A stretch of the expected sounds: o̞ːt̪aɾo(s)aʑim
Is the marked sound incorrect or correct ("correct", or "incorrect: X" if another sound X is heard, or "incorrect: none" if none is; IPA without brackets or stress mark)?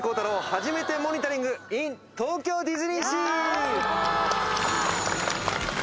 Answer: incorrect: h